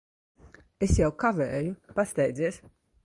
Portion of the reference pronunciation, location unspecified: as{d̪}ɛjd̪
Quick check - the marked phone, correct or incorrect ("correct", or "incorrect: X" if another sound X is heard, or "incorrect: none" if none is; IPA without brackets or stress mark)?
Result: incorrect: t̪